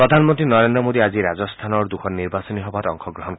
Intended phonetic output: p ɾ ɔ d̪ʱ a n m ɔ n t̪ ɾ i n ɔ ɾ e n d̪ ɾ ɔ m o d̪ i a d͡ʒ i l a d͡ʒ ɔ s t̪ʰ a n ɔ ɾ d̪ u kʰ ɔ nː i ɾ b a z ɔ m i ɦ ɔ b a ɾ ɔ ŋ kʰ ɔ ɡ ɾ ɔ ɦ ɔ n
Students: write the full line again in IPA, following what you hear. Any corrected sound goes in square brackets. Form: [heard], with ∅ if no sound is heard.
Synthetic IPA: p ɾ ɔ d̪ʱ a n m ɔ n t̪ ɾ i n ɔ ɾ e n d̪ ɾ ɔ m o d̪ i a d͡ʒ i [ɾ] a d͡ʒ ɔ s t̪ʰ a n ɔ ɾ d̪ u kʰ ɔ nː i ɾ b a [s] ɔ [n] i ɦ ɔ b a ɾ ɔ ŋ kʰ ɔ ɡ ɾ ɔ ɦ ɔ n